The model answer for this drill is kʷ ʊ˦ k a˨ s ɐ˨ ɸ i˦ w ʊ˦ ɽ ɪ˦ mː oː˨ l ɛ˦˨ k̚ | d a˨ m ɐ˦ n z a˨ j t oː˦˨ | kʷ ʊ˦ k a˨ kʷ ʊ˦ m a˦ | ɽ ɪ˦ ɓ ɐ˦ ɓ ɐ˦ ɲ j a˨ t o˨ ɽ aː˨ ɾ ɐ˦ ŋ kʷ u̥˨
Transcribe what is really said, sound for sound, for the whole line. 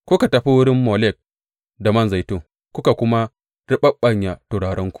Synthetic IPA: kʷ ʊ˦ k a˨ t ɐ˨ ɸ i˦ w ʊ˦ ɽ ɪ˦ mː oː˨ l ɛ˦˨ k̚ | d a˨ m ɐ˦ n z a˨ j t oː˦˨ | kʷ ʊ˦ k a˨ kʷ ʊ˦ m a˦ | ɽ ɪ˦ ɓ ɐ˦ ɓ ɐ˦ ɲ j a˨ t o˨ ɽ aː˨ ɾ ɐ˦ ŋ kʷ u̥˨

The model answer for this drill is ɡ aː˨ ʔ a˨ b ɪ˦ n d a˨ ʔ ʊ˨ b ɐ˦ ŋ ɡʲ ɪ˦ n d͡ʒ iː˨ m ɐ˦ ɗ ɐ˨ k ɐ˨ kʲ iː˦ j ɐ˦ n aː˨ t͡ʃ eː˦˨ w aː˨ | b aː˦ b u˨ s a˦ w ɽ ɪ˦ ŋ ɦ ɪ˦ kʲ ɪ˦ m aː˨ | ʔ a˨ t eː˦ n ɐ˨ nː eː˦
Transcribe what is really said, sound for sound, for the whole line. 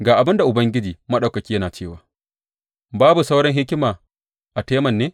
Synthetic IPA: ɡ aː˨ ʔ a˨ b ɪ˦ n d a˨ ʔ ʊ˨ b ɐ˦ ŋ ɡʲ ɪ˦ d͡ʒ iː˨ m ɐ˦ ɗ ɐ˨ k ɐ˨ kʲ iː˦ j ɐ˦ n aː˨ t͡ʃ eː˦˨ w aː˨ | b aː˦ b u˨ s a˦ w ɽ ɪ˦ ŋ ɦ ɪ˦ kʲ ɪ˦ m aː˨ | ʔ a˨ t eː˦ m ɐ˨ nː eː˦

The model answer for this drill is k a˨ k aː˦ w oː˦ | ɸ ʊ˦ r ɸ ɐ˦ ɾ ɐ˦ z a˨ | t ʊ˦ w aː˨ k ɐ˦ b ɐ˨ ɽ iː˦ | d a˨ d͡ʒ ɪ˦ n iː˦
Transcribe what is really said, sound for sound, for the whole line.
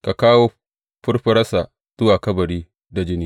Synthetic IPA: k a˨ k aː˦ w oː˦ | ɸ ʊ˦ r ɸ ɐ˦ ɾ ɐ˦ s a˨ | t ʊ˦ w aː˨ k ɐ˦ b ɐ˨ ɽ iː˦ | d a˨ d͡ʒ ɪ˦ n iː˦

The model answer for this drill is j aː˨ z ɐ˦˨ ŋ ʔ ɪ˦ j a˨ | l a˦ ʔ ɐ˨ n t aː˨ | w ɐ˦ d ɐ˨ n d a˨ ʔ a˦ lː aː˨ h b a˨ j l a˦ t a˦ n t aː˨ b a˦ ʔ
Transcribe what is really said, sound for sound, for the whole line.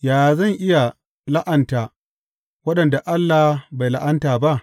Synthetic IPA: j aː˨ z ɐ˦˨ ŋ ʔ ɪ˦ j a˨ | l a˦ ʔ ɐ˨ n t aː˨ | w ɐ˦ ɗ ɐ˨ n d a˨ ʔ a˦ lː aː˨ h b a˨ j l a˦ ʔ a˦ n t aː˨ b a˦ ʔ

